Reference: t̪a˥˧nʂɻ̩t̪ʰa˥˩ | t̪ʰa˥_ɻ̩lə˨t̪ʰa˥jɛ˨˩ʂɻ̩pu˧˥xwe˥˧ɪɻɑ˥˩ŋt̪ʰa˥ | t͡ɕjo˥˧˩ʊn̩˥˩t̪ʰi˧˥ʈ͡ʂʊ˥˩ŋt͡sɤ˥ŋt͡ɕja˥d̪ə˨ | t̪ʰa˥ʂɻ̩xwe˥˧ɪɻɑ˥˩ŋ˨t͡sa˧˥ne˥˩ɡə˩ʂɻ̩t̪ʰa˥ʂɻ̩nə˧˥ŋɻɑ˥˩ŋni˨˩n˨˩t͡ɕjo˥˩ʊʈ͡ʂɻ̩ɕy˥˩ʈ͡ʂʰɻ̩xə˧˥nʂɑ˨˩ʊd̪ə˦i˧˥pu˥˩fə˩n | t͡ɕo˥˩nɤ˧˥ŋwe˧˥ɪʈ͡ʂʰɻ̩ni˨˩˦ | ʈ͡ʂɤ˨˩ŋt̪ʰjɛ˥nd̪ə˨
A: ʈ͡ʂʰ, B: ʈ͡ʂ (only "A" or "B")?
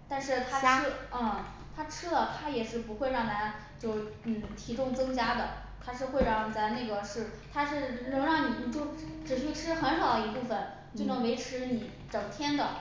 A